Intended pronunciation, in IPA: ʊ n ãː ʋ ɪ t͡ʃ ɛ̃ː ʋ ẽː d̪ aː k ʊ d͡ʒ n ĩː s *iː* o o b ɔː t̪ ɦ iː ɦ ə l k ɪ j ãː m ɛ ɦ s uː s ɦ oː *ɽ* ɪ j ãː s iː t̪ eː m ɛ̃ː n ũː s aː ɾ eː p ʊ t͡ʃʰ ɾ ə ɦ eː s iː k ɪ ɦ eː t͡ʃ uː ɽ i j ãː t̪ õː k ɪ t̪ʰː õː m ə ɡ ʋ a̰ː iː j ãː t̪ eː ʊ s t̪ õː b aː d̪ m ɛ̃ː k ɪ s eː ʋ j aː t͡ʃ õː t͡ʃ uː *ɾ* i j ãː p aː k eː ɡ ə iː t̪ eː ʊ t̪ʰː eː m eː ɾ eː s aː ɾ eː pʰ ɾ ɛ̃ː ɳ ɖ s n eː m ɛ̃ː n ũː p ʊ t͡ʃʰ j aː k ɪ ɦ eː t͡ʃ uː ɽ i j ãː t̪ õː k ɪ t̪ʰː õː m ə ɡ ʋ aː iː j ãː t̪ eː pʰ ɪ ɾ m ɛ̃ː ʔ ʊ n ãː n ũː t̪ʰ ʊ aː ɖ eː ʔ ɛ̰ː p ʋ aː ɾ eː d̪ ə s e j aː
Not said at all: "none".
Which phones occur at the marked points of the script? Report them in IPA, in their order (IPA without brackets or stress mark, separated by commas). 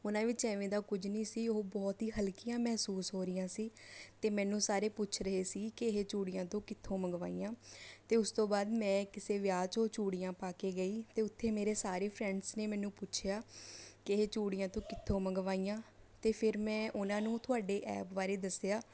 iː, ɾ, ɽ